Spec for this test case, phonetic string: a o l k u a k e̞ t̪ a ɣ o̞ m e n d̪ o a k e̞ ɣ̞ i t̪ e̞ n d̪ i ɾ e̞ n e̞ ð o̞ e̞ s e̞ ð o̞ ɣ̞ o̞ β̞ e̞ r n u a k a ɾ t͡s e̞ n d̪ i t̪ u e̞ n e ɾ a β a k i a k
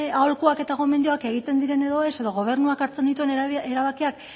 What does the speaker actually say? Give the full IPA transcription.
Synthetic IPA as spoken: a o l k u a k e̞ t̪ a ɣ o̞ m e n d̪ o a k e̞ ɣ̞ i t̪ e̞ n d̪ i ɾ e̞ n e̞ ð o̞ e̞ s e̞ ð o̞ ɣ̞ o̞ β̞ e̞ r n u a k a ɾ t͡s e̞ n d̪ i t̪ u e̞ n e ɾ a β a k i a k